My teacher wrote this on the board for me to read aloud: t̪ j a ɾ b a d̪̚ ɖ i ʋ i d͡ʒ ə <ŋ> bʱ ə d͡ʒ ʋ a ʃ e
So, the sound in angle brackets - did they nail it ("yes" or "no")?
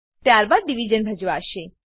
no